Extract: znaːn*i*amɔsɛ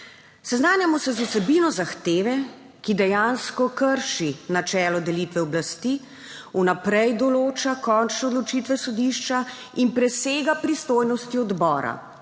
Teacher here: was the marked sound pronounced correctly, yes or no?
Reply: no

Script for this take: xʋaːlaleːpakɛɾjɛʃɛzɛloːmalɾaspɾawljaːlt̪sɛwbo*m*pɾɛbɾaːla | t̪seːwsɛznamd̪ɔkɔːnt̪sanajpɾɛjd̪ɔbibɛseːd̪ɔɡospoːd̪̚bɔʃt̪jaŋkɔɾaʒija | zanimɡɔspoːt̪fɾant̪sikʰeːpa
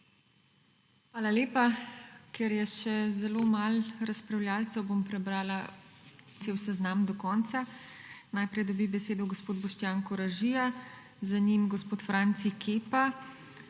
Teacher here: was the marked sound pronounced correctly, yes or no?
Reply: yes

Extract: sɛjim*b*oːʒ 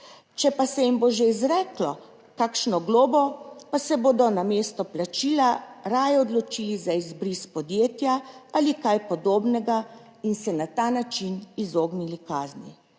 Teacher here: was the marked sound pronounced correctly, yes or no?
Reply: yes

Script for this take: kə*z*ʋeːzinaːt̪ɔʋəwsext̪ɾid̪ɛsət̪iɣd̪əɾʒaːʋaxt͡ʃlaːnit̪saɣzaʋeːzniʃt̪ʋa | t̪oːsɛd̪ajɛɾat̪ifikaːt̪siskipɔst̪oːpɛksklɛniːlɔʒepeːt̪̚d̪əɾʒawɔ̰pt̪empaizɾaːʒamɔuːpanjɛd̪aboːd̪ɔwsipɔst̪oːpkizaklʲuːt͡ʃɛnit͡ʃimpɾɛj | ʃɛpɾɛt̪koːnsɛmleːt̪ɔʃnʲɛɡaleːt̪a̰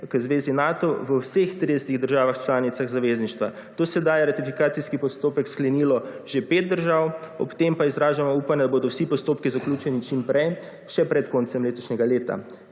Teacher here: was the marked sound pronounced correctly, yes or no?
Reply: yes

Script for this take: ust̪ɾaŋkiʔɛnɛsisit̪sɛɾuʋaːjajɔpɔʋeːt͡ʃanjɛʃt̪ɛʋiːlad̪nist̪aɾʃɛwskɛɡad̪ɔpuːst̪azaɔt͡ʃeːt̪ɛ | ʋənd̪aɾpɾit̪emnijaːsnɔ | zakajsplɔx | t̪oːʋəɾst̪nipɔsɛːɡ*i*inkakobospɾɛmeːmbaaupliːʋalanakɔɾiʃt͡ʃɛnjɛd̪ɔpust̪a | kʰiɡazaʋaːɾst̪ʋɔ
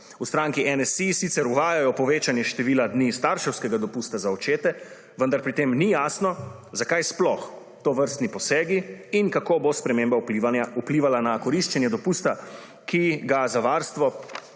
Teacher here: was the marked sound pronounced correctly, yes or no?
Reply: yes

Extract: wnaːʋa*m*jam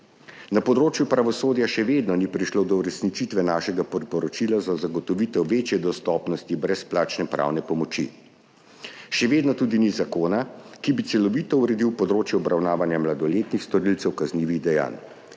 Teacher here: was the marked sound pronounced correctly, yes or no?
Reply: no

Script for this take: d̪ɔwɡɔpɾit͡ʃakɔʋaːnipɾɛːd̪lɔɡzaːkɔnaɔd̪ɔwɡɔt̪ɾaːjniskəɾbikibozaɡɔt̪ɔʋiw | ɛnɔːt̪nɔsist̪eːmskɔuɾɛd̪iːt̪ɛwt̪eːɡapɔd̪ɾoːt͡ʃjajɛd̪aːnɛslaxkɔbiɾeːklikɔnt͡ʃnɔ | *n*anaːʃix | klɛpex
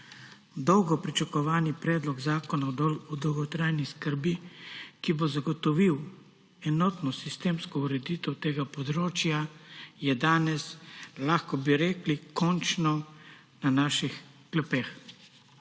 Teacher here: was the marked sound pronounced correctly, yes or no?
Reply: yes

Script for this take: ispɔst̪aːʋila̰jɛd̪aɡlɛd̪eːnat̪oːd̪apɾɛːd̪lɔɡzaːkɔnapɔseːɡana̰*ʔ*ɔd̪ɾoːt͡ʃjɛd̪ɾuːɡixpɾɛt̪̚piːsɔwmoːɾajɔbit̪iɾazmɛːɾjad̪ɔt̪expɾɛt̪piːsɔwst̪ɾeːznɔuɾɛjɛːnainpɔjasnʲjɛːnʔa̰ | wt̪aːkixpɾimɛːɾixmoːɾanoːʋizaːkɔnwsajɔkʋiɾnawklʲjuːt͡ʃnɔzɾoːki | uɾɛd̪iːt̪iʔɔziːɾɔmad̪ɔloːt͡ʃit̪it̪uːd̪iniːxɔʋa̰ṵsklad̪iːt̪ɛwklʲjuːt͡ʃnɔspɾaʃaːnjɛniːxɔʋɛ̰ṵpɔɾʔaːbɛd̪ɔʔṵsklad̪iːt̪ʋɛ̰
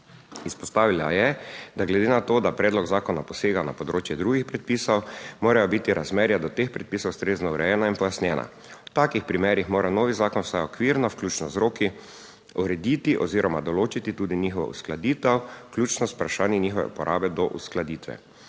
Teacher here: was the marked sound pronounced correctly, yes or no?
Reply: no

